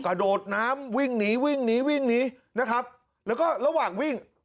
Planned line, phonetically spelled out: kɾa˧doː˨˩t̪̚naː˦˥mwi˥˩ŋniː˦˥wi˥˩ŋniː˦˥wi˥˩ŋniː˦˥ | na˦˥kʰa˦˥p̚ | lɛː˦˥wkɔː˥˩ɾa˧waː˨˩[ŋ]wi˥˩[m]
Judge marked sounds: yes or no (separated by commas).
yes, no